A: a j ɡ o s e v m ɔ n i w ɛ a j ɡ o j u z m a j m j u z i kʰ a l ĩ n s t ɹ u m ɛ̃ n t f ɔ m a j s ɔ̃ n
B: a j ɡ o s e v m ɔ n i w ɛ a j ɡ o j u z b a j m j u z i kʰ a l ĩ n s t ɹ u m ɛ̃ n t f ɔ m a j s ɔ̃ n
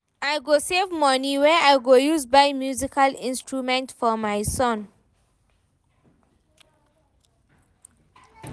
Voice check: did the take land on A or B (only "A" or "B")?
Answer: B